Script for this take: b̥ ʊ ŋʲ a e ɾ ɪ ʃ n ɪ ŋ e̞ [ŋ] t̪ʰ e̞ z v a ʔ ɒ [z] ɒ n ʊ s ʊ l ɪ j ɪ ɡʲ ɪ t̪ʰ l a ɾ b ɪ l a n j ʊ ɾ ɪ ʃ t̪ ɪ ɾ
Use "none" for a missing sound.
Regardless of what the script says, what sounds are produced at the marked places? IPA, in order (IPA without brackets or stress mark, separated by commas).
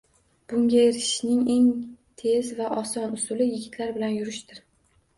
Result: ŋ, s